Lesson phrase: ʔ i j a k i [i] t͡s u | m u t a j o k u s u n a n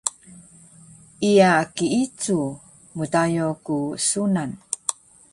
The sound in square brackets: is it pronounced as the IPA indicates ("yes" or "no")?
yes